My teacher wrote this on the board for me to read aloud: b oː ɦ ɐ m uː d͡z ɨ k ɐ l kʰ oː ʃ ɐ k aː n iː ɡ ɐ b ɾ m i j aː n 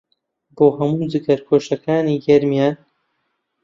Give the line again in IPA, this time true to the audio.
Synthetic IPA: b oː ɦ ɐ m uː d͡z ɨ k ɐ ɾ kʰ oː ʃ ɐ k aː n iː ɡ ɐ ɾ m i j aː n